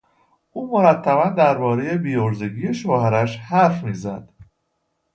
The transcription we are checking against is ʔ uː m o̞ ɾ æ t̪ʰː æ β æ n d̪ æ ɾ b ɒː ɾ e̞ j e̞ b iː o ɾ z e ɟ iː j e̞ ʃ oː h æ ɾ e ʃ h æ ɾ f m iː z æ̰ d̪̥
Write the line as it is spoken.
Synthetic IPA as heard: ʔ uː m o̞ ɾ æ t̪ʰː æ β æ n d̪ æ ɾ b ɒː ɾ e̞ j e̞ b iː o ɾ z e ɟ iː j e̞ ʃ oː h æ ɾ æ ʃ h æ ɾ f m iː z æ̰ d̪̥